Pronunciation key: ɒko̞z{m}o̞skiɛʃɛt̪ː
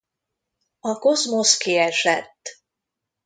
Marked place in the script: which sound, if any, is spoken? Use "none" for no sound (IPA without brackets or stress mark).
m